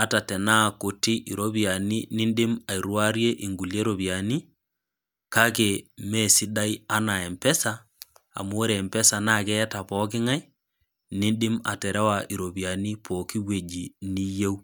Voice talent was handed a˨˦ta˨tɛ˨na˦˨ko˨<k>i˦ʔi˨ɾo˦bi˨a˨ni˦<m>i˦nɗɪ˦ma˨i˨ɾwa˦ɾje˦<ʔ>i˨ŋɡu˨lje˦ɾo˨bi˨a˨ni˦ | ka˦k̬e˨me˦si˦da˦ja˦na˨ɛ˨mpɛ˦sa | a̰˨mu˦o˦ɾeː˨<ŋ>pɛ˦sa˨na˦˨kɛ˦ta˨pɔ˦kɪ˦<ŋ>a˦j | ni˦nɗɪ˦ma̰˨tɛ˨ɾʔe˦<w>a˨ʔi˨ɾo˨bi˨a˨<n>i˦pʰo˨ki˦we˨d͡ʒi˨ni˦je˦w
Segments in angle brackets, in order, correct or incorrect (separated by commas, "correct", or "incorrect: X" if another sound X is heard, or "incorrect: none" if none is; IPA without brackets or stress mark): incorrect: t, incorrect: n, correct, incorrect: m, correct, correct, correct